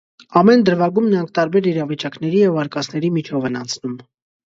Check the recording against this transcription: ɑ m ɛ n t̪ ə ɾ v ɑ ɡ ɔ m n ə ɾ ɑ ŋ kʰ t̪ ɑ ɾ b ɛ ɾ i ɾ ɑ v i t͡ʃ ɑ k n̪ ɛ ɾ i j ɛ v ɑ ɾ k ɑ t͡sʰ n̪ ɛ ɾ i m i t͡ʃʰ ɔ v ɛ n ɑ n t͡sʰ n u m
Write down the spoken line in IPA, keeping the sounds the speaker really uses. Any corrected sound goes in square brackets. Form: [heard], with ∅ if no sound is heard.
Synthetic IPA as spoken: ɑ m ɛ n [d̪] ə ɾ v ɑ ɡ [u] m n ə ɾ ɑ ŋ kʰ t̪ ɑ ɾ b ɛ ɾ i ɾ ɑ v i t͡ʃ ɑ k n̪ ɛ ɾ i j ɛ v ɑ ɾ k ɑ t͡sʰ n̪ ɛ ɾ i m i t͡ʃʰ ɔ v ɛ n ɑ n t͡sʰ n u m